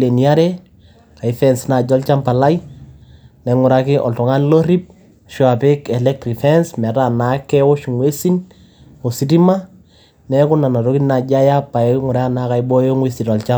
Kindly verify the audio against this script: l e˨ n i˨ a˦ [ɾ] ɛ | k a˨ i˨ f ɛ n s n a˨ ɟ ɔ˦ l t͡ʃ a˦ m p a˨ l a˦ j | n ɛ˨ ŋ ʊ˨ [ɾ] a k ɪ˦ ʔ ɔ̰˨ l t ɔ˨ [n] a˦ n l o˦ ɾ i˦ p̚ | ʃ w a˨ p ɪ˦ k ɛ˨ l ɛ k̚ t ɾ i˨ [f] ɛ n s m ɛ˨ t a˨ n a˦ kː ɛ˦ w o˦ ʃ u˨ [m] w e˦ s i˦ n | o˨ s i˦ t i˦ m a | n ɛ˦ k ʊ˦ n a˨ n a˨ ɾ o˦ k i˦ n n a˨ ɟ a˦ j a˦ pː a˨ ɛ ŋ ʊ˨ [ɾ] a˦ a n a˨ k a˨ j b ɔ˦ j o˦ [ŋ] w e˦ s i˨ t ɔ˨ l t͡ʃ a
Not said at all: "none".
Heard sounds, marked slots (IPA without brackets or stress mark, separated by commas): ɾ, ɾ, ŋ, f, ŋ, ɾ, ŋ